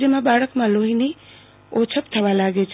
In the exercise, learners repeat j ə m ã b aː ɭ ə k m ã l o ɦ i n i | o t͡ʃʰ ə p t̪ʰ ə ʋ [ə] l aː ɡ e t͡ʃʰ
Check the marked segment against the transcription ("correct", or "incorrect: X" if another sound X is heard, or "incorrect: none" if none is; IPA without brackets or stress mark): incorrect: a